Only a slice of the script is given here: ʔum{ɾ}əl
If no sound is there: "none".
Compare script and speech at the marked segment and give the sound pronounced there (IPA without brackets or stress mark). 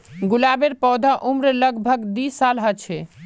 ɾ